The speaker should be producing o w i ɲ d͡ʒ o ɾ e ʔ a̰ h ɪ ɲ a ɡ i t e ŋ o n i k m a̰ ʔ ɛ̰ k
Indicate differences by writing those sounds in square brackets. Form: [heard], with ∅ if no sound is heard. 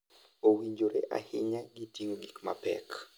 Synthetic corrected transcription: o w i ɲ d͡ʒ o ɾ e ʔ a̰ h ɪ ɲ a ɡ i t [i] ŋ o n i k m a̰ [p] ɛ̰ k